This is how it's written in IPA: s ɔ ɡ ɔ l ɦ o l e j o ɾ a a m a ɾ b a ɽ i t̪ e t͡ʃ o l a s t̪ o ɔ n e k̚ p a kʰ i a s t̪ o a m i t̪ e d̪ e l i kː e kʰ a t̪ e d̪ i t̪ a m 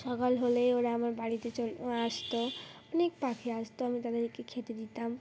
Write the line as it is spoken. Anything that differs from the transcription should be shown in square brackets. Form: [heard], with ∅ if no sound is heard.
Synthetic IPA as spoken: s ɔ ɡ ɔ l ɦ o l e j o ɾ a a m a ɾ b a ɽ i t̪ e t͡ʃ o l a s t̪ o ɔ n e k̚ p a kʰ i a s t̪ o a m i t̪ [a] d̪ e [ɾ] i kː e kʰ [e] t̪ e d̪ i t̪ a m

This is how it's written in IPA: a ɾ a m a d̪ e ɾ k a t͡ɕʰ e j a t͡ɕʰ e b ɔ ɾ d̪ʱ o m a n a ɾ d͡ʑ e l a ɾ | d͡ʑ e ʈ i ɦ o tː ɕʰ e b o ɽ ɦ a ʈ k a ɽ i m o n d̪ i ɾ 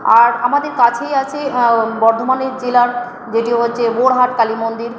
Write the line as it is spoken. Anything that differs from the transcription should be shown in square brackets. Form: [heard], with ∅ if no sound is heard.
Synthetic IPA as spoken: a ɾ a m a d̪ e ɾ k a t͡ɕʰ e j a t͡ɕʰ e b ɔ ɾ d̪ʱ o m a n [e] ɾ d͡ʑ e l a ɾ | d͡ʑ e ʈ i ɦ o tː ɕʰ e b o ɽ ɦ a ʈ k a [l] i m o n d̪ i ɾ

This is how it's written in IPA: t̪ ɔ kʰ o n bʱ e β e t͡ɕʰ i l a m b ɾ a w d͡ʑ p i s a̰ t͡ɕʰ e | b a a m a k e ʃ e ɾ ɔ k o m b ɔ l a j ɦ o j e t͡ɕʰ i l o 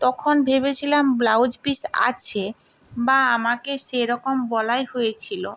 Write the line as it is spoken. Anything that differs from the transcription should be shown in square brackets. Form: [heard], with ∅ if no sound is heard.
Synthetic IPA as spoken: t̪ ɔ kʰ o n bʱ e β e t͡ɕʰ i l a m b [l] a w d͡ʑ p i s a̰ t͡ɕʰ e | b a a m a k e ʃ e ɾ ɔ k o m b ɔ l a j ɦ o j e t͡ɕʰ i l o

